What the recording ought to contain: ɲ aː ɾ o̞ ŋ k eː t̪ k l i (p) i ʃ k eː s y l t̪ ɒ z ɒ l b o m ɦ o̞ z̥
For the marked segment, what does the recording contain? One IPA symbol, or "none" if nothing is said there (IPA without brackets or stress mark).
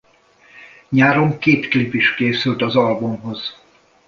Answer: p